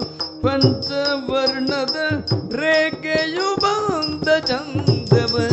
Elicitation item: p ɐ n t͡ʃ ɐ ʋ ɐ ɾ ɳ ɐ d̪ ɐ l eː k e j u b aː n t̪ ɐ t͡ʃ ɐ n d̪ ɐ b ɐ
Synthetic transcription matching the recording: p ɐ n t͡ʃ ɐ ʋ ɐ ɾ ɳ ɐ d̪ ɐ ɾ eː k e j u b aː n d̪ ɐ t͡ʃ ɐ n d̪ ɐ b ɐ